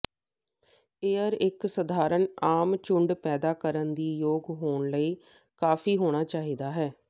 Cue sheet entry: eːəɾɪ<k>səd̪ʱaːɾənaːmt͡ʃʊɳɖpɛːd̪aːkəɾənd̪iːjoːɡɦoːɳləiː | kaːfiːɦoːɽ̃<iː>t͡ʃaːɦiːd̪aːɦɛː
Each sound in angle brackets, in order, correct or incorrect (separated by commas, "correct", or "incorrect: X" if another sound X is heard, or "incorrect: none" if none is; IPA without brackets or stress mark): correct, incorrect: aː